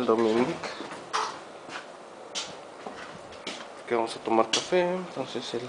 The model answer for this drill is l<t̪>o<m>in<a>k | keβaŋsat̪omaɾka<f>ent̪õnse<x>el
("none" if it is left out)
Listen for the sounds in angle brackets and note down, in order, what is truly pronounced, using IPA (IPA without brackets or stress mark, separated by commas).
d̪, m, i, f, s